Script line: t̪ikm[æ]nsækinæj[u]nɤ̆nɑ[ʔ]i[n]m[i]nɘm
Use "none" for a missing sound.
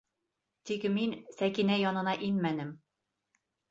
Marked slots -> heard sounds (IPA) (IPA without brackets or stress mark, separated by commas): i, ɒ, ʔ, n, æ